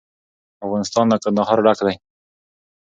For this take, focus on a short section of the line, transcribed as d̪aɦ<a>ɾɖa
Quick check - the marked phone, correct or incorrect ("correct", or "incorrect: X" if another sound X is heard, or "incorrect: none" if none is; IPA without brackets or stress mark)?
incorrect: ɑ